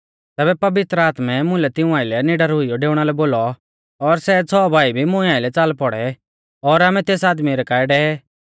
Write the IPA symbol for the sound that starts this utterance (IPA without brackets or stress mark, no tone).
t̪